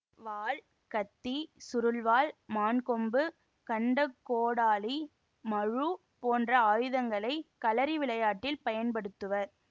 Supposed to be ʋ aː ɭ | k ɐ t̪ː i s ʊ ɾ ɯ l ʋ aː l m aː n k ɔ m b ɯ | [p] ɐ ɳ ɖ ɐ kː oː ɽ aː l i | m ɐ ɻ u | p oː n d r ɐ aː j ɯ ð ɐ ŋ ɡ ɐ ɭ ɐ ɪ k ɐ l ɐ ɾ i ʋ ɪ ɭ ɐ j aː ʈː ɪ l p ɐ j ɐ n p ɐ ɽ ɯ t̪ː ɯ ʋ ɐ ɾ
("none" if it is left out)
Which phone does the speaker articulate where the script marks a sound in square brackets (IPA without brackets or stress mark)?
k